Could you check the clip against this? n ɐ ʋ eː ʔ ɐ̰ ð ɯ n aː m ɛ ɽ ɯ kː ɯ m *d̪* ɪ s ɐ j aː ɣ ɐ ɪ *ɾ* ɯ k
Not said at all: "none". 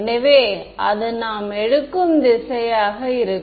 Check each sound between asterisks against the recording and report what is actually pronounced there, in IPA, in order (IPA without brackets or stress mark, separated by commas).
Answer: d̪, ɾ